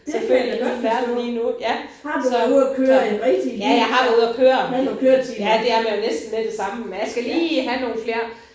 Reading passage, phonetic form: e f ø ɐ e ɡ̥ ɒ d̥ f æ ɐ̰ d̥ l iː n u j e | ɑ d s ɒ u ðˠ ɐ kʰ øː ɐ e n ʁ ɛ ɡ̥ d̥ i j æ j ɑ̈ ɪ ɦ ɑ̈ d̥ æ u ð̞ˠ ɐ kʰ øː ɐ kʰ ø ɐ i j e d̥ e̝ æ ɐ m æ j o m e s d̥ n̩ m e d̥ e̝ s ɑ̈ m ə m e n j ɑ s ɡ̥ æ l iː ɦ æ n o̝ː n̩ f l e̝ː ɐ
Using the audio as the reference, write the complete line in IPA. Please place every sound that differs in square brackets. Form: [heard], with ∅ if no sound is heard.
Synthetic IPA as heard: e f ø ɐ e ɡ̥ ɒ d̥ f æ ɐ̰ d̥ l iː n u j [æ] | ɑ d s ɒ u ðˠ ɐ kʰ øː ɐ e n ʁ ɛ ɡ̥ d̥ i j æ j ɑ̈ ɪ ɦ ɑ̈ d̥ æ u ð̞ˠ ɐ kʰ øː ɐ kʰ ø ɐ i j [æ] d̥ e̝ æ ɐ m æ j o [n] e s d̥ n̩ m e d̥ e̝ s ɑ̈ m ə m e n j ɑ s ɡ̥ æ l iː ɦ æ n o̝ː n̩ f l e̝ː ɐ